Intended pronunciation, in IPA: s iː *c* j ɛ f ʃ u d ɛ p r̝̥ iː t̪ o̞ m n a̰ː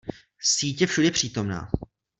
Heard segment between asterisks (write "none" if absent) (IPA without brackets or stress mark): c